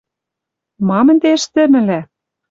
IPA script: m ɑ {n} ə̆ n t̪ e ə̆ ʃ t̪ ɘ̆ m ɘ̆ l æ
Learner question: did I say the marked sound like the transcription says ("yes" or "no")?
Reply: no